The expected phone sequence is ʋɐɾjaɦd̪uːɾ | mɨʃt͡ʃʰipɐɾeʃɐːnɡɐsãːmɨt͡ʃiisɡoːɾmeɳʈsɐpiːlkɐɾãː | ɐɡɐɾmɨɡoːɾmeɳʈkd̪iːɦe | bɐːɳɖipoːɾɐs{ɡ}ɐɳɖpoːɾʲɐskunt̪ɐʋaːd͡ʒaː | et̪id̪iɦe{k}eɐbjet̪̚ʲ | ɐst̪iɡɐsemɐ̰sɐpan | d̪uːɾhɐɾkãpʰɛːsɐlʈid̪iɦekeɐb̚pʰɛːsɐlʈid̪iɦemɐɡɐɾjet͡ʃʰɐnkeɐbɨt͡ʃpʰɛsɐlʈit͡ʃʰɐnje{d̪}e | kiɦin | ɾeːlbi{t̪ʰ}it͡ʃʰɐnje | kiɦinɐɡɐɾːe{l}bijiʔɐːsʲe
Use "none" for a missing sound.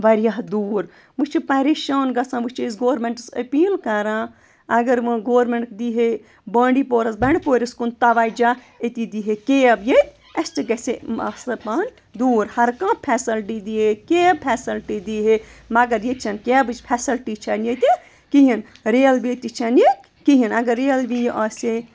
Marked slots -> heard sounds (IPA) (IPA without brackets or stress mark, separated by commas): b, k, t̪, t̪, l